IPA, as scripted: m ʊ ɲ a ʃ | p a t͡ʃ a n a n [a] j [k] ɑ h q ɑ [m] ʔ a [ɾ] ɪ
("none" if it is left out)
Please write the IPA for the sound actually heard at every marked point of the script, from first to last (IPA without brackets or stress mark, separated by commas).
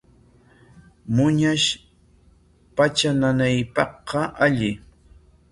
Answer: a, p, none, ʎ